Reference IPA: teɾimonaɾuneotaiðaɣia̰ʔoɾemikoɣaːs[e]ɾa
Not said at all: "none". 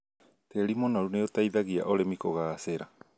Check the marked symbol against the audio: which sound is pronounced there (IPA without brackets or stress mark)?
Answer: e